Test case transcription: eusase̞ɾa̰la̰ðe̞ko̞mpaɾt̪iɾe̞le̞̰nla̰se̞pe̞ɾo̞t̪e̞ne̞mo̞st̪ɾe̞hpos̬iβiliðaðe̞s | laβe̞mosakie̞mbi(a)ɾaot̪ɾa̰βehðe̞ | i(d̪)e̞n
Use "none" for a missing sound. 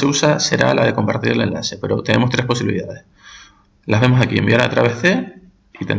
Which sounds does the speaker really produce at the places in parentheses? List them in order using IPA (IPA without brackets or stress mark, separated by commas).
a, t̪